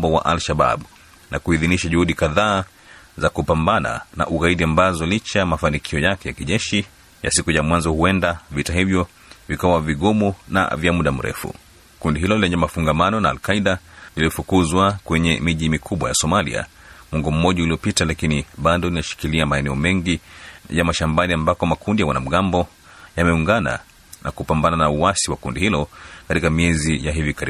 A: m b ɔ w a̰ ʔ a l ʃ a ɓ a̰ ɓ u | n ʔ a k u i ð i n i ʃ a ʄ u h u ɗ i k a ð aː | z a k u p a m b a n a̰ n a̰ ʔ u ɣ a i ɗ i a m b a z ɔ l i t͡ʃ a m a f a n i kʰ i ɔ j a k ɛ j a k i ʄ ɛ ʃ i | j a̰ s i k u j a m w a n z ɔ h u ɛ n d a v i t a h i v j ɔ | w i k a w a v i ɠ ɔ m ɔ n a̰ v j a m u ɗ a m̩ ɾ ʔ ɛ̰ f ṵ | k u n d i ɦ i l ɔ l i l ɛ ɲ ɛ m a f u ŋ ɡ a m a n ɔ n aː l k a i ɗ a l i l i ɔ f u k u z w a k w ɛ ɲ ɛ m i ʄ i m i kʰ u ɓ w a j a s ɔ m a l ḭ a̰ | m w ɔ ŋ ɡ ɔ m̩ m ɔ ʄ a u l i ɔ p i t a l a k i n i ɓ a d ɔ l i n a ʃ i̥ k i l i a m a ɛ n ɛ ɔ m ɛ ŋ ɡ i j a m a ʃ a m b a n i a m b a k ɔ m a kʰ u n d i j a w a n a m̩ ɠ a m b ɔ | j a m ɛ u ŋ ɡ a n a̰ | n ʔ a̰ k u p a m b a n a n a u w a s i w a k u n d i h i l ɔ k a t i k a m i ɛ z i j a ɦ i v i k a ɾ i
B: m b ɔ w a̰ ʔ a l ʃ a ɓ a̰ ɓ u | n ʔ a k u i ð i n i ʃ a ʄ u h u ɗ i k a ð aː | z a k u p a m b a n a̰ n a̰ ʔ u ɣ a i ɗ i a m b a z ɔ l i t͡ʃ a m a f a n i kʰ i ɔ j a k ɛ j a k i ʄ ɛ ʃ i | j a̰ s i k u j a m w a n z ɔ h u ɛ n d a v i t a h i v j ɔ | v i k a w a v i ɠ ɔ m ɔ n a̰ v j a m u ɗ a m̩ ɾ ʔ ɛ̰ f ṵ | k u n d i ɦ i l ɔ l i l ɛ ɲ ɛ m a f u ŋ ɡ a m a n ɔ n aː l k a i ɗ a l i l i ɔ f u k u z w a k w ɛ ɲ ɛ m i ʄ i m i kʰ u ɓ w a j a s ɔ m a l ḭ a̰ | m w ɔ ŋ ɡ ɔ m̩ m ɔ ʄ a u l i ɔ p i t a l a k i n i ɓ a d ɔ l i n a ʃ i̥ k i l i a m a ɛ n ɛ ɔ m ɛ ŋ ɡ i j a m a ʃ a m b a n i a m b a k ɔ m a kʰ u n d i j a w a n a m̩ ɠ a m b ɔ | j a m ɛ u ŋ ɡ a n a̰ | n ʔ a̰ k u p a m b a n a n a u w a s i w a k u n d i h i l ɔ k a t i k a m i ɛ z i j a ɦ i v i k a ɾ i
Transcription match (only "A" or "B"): B